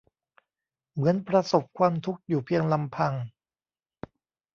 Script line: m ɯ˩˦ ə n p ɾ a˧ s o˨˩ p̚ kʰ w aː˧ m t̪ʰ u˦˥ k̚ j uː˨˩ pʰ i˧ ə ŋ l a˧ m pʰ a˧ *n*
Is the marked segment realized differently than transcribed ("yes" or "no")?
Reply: yes